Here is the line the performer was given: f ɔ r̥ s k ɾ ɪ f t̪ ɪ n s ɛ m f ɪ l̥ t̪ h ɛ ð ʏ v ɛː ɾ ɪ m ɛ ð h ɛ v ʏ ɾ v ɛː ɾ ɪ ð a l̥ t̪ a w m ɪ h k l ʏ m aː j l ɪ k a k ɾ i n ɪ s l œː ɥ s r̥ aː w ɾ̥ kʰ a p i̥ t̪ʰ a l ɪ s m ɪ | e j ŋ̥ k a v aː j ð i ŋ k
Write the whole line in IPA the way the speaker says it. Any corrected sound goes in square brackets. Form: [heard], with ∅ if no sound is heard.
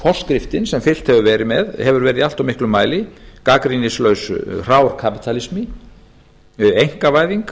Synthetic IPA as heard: f ɔ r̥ s k ɾ ɪ f t̪ ɪ n s ɛ m f ɪ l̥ t̪ h ɛ [v] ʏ v ɛː ɾ ɪ m ɛ ð h ɛ v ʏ ɾ v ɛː ɾ ɪ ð a l̥ t̪ a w m ɪ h k l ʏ m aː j l ɪ k a k ɾ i n ɪ s l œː ɥ s r̥ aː w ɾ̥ kʰ a p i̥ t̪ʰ a l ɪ s m ɪ | e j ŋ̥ k a v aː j ð i ŋ k